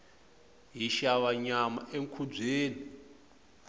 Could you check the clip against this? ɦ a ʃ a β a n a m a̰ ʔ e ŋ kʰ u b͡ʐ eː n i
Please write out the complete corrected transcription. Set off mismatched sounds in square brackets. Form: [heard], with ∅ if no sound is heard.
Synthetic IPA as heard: ɦ [i] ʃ a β a [ɲ] a m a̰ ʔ e ŋ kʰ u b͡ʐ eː n i